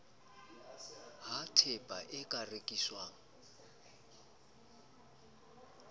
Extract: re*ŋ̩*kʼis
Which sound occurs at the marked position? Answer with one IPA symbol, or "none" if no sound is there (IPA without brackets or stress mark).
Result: none